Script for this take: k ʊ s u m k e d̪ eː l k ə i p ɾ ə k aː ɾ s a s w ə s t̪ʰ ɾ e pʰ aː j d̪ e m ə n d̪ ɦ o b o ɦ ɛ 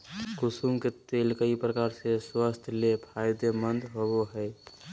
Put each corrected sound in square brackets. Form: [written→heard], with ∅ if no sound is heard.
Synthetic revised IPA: k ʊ s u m k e [d̪→t̪] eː l k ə i p ɾ ə k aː ɾ s [a→e] s w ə s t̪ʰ [ɾ→l] e pʰ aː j d̪ e m ə n d̪ ɦ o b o ɦ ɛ

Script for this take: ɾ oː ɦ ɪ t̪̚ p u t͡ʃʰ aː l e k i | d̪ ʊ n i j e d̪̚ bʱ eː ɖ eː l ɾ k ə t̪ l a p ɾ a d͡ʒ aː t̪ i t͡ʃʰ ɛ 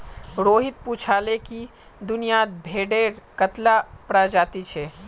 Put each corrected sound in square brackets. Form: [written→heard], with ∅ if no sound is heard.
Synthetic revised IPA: ɾ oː ɦ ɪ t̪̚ p u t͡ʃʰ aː l e k i | d̪ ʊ n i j [e→a] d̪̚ bʱ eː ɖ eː [l→∅] ɾ k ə t̪ l a p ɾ a d͡ʒ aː t̪ i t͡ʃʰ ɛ

